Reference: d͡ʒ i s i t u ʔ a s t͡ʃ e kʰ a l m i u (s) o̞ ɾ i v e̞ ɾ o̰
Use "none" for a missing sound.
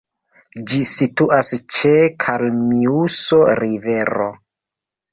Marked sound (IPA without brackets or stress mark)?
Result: s